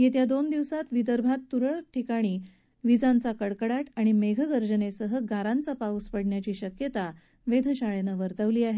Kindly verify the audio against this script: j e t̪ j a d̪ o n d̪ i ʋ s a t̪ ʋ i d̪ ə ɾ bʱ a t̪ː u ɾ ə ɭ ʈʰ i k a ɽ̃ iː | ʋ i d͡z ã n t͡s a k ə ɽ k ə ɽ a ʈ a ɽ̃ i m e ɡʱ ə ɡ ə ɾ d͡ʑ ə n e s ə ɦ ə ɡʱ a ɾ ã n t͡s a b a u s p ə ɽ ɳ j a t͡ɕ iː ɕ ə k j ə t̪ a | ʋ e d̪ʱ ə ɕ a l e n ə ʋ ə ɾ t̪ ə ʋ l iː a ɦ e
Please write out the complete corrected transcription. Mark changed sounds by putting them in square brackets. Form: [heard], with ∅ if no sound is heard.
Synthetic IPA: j e t̪ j a d̪ o n d̪ i ʋ s a t̪ ʋ i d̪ ə ɾ bʱ a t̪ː u ɾ ə ɭ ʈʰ i k a ɽ̃ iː | ʋ i d͡z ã n t͡s a k ə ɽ k ə ɽ a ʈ a ɽ̃ i m e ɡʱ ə ɡ ə ɾ d͡ʑ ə n e s ə ɦ ə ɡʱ a ɾ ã n t͡s a [p] a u s p ə ɽ ɳ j a t͡ɕ iː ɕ ə k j ə t̪ a | ʋ e d̪ʱ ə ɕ a [ɭ] e n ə ʋ ə ɾ t̪ ə ʋ l iː a ɦ e

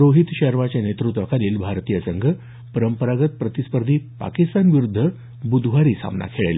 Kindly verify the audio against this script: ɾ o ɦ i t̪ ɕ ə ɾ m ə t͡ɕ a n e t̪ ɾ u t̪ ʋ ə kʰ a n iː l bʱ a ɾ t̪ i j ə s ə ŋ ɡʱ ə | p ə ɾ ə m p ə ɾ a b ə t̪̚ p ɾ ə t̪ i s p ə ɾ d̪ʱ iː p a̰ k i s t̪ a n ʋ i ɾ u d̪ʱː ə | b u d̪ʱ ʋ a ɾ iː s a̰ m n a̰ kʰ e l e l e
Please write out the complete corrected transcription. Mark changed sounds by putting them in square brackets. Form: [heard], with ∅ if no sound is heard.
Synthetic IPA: ɾ o ɦ i t̪ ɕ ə ɾ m [a] t͡ɕ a n e t̪ ɾ u t̪ ʋ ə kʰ a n iː l bʱ a ɾ t̪ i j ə s ə ŋ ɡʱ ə | p ə ɾ ə m p ə ɾ a [ɡ] ə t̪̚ p ɾ ə t̪ i s p ə ɾ d̪ʱ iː p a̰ k i s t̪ a n ʋ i ɾ u d̪ʱː ə | b u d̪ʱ ʋ a ɾ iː s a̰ m n a̰ kʰ e [ɭ] e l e

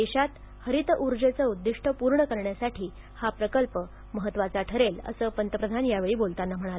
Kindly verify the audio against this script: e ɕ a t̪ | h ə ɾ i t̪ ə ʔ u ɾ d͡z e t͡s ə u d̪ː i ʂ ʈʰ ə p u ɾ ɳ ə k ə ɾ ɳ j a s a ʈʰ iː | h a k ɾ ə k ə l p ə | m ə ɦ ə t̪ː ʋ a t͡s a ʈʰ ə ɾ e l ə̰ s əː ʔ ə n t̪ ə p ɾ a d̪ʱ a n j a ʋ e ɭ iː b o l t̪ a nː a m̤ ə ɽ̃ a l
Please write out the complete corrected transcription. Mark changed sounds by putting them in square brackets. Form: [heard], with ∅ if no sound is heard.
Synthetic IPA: e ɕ a t̪ | h ə ɾ i t̪ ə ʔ u ɾ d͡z e t͡s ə u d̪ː i ʂ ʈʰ ə p u ɾ ɳ ə k ə ɾ ɳ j a s a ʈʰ iː | h a [p] ɾ ə k ə l p ə | m ə ɦ ə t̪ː ʋ a t͡s a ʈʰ ə ɾ e l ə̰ s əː [p] ə n t̪ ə p ɾ [ə] d̪ʱ a n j a ʋ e ɭ iː b o l t̪ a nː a m̤ ə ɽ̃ a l

